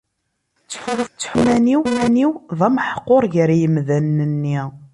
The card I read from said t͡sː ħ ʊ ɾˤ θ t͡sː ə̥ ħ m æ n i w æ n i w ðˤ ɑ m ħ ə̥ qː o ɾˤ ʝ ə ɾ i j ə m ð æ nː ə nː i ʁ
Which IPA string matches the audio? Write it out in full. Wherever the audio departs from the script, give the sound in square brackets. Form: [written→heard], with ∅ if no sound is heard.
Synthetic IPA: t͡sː ħ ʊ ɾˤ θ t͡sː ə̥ ħ m æ n i w æ n i w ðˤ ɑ m ħ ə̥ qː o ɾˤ ʝ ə ɾ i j ə m ð æ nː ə nː i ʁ